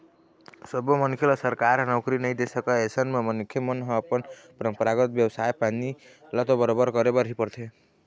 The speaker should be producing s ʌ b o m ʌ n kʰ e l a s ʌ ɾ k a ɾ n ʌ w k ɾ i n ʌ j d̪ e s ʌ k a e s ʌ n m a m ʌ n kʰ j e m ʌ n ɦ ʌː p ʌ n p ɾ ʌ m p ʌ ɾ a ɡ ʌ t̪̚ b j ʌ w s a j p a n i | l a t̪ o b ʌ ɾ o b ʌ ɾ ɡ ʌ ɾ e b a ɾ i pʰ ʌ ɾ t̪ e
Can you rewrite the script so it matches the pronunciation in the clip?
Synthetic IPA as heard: s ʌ b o m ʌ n kʰ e l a s ʌ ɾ k a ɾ n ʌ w k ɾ i n ʌ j d̪ e s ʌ k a e s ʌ n m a m ʌ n kʰ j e m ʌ n ɦ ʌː p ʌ n p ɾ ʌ m p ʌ ɾ a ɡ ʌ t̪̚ b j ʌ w s a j p a n i | l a t̪ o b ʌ ɾ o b ʌ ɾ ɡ ʌ ɾ e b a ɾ i p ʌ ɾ t̪ʰ e